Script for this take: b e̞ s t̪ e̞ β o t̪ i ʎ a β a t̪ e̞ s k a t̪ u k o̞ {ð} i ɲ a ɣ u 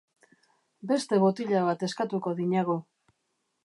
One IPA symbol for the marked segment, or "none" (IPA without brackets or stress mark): ð